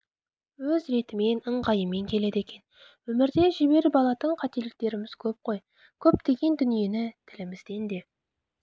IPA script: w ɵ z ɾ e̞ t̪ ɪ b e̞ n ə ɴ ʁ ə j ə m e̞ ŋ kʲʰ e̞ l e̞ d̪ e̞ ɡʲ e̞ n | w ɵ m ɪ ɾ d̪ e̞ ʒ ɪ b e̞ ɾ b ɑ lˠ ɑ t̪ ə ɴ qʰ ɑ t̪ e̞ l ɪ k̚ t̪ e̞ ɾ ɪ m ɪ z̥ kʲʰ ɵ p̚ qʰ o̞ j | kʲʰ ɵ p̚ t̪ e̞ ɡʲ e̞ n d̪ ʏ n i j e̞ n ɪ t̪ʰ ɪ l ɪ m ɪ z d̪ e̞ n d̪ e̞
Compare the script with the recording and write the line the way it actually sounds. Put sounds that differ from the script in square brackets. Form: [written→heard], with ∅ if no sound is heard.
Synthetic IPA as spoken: w ɵ z ɾ e̞ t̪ ɪ [b→m] e̞ n ə ɴ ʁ [ə→ɑ] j ə m e̞ ŋ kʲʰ e̞ l e̞ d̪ e̞ [ɡʲ→kʲ] e̞ n | w ɵ m ɪ ɾ d̪ e̞ ʒ ɪ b e̞ ɾ b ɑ lˠ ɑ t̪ ə ɴ qʰ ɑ t̪ e̞ l ɪ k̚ t̪ e̞ ɾ ɪ m ɪ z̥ kʲʰ ɵ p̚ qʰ o̞ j | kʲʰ ɵ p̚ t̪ e̞ ɡʲ e̞ n d̪ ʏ n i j e̞ n ɪ t̪ʰ ɪ l ɪ m ɪ z d̪ e̞ n d̪ e̞